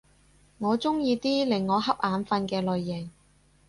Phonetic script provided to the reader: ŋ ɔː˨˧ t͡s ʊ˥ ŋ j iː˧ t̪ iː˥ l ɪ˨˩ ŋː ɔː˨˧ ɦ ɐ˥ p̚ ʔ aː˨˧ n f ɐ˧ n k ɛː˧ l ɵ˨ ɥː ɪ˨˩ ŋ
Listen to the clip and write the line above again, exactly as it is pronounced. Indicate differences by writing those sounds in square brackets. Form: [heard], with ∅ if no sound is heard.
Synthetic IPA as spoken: ŋ ɔː˨˧ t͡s ʊ˥ ŋ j iː˧ t̪ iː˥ l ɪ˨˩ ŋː ɔː˨˧ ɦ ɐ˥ p̚ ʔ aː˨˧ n f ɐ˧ n k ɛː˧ l ɵ˨ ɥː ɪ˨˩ ŋ